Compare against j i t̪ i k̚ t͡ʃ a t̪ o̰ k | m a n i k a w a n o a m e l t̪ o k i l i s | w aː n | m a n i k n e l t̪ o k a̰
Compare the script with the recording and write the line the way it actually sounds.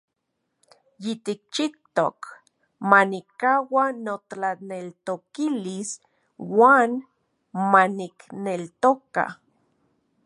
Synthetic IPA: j i t̪ i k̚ t͡ʃ i t̪ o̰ k | m a n i k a w a n o a n e l t̪ o k i l i s | w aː n | m a n i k n e l t̪ o k a̰